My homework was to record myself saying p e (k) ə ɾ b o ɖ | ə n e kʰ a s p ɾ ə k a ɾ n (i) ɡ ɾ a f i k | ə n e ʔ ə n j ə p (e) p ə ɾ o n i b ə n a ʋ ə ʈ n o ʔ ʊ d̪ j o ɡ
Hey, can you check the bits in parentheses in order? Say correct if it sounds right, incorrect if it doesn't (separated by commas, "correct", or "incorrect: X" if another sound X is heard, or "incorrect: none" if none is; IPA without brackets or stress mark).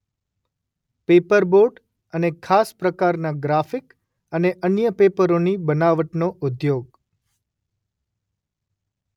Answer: incorrect: p, incorrect: a, correct